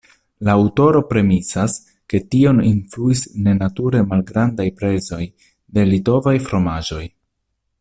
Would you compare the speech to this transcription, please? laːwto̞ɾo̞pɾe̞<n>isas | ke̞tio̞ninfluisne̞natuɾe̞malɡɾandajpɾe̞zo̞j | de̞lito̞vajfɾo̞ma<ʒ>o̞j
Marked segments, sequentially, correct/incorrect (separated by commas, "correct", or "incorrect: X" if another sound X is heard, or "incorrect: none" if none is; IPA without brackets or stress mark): incorrect: m, correct